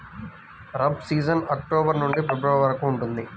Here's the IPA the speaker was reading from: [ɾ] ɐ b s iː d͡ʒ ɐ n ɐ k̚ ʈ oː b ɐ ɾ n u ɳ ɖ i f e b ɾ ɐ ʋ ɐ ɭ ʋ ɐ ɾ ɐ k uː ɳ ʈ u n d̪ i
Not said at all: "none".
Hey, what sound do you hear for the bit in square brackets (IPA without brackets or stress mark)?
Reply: ɾ